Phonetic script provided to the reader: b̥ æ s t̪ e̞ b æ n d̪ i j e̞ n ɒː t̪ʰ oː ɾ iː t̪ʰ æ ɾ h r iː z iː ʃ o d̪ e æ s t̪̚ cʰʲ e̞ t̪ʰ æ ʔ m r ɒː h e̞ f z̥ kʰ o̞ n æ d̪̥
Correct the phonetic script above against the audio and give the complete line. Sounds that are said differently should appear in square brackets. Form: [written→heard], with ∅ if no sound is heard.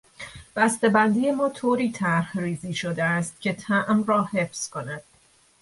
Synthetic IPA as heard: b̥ æ s t̪ e̞ b æ n d̪ i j e̞ [n→m] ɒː t̪ʰ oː ɾ iː t̪ʰ æ ɾ h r iː z iː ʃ o d̪ e æ s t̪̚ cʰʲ e̞ t̪ʰ æ ʔ m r ɒː h e̞ f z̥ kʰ o̞ n æ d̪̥